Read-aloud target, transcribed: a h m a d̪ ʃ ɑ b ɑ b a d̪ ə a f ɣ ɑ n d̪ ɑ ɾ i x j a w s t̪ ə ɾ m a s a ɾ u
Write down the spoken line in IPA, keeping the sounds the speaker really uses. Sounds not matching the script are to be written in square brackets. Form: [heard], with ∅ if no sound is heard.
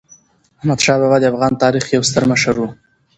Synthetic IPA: a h m a d̪ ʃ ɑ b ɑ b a d̪ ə a f ɣ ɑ n [t̪] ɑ ɾ i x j a w s t̪ ə ɾ m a [ʃ] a ɾ u